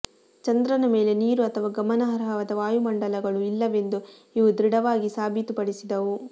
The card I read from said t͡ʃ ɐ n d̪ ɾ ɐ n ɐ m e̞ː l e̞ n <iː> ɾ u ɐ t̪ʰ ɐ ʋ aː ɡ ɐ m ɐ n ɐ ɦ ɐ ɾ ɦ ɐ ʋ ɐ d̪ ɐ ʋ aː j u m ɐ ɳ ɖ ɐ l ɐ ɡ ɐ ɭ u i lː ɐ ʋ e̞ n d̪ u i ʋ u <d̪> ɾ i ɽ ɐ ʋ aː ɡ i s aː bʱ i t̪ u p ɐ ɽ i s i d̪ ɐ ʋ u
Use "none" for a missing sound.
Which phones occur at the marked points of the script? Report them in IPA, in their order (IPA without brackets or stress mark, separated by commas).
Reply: iː, d̪